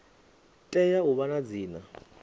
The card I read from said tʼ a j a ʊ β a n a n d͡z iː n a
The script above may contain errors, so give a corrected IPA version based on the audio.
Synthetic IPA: tʼ ɛ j a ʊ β a n a d͡z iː n a